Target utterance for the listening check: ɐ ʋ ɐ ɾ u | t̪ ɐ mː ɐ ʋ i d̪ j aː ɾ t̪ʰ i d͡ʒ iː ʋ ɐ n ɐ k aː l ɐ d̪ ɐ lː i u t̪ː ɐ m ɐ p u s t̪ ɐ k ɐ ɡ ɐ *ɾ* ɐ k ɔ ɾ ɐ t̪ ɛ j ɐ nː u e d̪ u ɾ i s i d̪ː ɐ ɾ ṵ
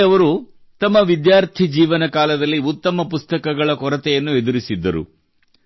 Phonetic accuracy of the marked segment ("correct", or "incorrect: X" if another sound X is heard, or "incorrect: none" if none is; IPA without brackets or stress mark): incorrect: ɭ